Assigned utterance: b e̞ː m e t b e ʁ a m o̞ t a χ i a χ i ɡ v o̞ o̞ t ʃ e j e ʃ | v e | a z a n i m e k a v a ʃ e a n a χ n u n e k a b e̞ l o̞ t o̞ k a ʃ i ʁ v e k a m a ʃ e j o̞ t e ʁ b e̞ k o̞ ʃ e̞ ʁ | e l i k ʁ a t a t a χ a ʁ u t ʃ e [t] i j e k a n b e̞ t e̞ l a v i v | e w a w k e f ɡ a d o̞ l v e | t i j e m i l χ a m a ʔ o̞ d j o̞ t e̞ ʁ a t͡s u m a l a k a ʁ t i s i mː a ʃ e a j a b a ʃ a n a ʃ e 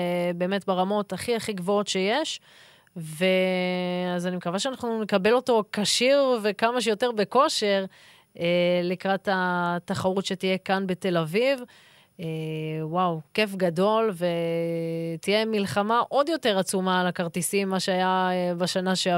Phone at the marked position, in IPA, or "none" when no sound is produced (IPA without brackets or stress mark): t